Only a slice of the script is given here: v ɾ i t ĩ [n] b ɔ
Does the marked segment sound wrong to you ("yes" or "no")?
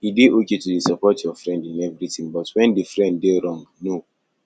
yes